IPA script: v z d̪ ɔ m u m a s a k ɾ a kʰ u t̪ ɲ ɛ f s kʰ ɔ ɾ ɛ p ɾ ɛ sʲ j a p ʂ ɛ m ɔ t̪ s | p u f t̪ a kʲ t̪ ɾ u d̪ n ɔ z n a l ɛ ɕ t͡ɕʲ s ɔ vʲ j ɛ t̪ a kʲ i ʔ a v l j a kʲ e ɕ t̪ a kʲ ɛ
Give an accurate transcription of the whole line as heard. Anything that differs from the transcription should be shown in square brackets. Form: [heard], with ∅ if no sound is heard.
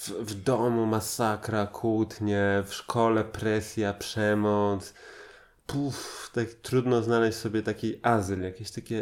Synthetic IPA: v [v] d̪ ɔ m u m a s a k ɾ a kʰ u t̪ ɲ ɛ f [ʂ] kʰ ɔ [l] ɛ p ɾ ɛ sʲ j a p ʂ ɛ m ɔ t̪ s | p u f t̪ a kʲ t̪ ɾ u d̪ n ɔ z n a l ɛ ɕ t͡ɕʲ s ɔ [bʲ] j ɛ t̪ a kʲ i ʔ a [z] l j a kʲ e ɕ t̪ a kʲ ɛ